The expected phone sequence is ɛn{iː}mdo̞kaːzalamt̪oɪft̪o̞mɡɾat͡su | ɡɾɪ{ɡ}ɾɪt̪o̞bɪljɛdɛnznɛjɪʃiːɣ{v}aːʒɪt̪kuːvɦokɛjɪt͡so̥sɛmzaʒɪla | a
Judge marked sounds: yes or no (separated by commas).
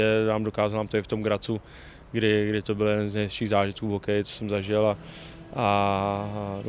no, yes, no